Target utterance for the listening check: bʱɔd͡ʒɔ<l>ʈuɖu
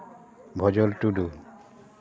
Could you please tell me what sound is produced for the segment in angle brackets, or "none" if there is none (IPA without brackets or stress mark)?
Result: l